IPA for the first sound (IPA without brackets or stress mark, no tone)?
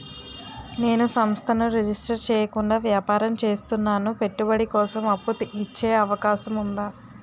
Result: n